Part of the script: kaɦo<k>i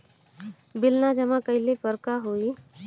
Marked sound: incorrect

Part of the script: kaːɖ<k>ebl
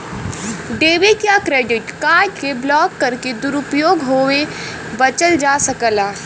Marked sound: correct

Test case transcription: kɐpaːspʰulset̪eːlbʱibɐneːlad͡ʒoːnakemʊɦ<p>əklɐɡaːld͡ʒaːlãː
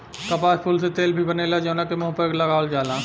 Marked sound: correct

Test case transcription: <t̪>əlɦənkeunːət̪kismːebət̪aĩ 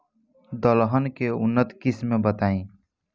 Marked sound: incorrect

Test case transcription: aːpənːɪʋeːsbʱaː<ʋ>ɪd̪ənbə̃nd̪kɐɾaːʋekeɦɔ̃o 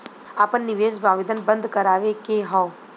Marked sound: correct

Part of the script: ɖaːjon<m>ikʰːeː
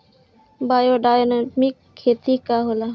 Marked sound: correct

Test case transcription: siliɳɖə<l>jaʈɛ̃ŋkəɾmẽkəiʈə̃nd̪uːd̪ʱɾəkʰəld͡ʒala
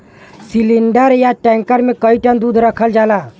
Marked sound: incorrect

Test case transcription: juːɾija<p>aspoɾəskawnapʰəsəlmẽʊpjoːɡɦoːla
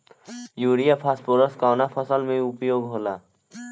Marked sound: incorrect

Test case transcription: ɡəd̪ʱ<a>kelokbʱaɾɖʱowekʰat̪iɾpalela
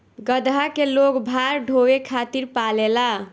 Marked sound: correct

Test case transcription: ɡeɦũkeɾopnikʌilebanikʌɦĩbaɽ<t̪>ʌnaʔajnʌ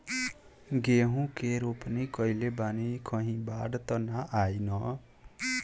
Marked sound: correct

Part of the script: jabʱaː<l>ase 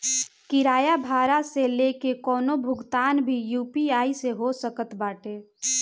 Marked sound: incorrect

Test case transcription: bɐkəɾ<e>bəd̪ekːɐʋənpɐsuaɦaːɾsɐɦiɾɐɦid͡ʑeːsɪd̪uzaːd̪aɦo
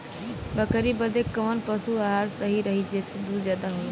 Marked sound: incorrect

